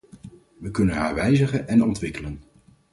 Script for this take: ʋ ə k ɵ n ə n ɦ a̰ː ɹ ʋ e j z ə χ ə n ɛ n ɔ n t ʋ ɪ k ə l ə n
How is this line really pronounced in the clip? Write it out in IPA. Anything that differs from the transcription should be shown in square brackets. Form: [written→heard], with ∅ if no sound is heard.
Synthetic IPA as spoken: ʋ ə k ɵ n ə n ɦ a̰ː ɹ ʋ [e→ɛ] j z ə χ ə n ɛ n ɔ n t ʋ ɪ k ə l ə n